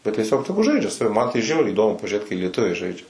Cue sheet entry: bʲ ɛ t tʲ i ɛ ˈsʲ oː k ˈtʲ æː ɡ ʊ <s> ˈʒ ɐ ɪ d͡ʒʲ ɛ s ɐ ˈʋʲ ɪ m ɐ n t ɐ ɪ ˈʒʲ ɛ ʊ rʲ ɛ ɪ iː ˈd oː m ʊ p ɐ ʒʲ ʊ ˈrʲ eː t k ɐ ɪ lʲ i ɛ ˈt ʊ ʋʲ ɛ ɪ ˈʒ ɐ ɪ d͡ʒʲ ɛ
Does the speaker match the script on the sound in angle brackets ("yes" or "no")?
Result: no